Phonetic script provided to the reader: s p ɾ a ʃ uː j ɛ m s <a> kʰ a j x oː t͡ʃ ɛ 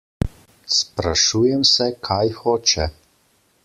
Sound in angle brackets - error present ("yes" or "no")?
yes